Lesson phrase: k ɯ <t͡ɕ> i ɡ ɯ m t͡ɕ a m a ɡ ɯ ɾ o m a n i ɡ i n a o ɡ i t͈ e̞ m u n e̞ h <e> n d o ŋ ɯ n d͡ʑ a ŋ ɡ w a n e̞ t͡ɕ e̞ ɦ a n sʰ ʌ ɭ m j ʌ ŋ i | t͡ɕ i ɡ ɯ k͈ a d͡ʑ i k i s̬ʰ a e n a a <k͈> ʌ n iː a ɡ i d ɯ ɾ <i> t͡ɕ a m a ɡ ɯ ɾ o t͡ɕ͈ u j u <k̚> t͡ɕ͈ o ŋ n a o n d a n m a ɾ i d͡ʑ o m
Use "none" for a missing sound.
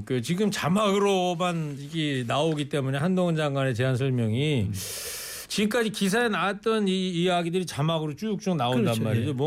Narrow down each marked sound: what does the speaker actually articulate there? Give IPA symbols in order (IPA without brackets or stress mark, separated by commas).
t͡ɕ, a, t͈, i, k̚